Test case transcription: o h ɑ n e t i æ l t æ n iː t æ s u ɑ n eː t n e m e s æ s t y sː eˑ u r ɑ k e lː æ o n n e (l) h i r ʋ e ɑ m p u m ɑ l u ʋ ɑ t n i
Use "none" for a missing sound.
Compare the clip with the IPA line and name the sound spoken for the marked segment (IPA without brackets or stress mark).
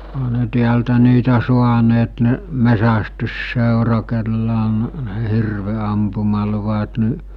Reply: none